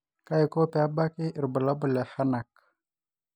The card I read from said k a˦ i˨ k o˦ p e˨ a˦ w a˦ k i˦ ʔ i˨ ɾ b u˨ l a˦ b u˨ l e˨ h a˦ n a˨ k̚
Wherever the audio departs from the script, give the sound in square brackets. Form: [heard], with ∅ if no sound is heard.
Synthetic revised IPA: k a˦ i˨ k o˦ p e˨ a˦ [b] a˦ k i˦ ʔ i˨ ɾ b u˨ l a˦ b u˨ l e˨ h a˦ n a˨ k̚